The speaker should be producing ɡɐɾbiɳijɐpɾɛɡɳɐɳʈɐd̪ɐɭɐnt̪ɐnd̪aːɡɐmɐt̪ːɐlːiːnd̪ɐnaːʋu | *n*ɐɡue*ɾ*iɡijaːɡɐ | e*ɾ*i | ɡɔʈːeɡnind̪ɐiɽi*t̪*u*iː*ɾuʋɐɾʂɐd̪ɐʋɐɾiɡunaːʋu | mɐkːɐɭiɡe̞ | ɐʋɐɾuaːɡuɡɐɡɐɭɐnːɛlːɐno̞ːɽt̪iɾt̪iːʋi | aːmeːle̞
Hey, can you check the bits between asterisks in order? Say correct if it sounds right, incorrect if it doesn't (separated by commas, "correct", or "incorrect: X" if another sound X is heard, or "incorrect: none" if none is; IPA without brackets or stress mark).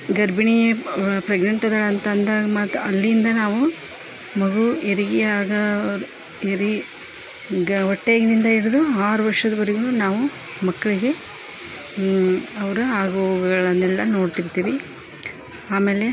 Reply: incorrect: m, correct, correct, incorrect: d̪, incorrect: aː